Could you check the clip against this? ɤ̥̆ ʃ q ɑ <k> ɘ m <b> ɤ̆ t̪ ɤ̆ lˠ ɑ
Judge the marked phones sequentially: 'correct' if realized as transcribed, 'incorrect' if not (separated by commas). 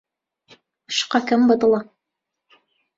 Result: correct, correct